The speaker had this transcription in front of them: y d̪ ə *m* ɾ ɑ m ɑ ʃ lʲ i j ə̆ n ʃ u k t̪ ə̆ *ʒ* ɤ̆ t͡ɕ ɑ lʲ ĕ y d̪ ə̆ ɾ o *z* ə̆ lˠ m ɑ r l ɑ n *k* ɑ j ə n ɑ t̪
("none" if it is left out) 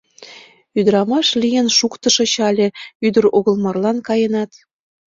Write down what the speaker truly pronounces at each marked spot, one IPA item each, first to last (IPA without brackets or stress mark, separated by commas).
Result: none, ʃ, ɣ, k